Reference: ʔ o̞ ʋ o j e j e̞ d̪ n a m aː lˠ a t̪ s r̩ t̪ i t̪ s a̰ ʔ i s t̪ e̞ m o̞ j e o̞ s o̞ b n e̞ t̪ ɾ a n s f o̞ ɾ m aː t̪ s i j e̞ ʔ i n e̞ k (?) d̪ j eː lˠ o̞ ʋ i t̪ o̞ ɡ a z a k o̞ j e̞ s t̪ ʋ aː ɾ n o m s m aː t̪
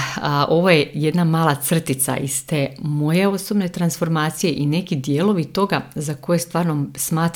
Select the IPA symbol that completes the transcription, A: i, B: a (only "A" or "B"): A